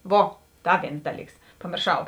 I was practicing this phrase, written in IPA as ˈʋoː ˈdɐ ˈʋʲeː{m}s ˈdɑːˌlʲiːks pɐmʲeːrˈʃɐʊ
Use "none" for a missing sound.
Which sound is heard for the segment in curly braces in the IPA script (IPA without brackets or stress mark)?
n